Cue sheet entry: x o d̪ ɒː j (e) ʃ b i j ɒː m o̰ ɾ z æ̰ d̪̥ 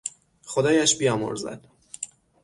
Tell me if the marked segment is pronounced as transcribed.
no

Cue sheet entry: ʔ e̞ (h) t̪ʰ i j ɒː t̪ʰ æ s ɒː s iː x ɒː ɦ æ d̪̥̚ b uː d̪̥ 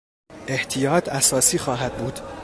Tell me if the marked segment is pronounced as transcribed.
yes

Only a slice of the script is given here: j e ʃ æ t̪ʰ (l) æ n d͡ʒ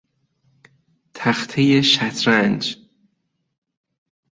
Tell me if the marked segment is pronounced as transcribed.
no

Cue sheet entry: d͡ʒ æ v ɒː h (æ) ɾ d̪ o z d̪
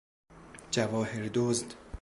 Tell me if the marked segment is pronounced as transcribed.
no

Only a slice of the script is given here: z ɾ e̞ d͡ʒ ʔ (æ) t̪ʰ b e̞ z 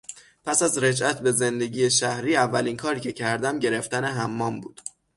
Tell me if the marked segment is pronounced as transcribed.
yes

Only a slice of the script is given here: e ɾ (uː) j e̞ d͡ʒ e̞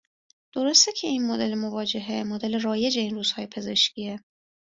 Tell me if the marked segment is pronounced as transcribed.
no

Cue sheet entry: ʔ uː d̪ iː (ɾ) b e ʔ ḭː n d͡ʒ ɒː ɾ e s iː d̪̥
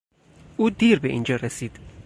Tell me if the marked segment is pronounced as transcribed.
yes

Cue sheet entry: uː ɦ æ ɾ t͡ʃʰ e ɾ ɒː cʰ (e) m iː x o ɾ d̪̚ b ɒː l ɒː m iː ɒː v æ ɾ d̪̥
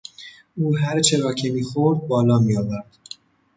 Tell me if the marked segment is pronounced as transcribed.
yes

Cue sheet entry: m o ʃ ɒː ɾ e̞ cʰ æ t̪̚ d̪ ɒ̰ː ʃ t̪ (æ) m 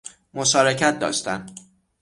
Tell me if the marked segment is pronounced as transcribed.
yes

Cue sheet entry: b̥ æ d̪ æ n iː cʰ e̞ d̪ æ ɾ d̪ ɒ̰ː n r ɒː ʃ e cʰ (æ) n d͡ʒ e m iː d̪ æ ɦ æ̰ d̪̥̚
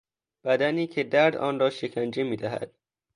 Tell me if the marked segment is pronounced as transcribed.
yes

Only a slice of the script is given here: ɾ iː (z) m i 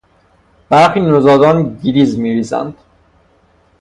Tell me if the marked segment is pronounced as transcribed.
yes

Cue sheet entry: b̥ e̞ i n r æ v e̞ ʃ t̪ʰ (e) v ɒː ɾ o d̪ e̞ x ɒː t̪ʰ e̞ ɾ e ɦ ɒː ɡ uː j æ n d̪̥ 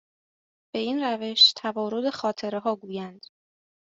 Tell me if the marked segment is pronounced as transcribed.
no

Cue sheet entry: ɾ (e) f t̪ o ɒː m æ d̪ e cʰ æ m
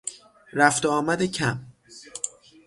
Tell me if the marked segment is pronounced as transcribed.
no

